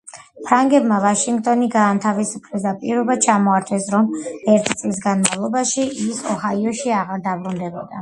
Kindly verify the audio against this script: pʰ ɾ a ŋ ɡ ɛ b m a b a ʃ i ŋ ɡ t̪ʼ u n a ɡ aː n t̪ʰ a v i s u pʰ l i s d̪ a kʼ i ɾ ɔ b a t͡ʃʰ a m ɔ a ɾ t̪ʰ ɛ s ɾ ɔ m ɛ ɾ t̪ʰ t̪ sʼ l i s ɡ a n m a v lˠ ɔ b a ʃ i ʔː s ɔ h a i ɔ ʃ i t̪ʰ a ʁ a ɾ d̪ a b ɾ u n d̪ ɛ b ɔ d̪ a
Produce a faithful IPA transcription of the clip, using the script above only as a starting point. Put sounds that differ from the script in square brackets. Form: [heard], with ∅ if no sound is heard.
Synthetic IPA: pʰ ɾ a ŋ ɡ ɛ b m a [v] a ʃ i ŋ ɡ t̪ʼ [ɔ] n [i] ɡ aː n t̪ʰ a v i s u pʰ l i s d̪ a [pʼ] i ɾ ɔ b a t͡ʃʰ a m ɔ a ɾ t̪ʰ ɛ s ɾ ɔ m ɛ ɾ t̪ʰ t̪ sʼ l i s ɡ a n m a v lˠ ɔ b a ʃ i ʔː s ɔ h a i ɔ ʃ i [∅] a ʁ a ɾ d̪ a b ɾ u n d̪ ɛ b ɔ d̪ a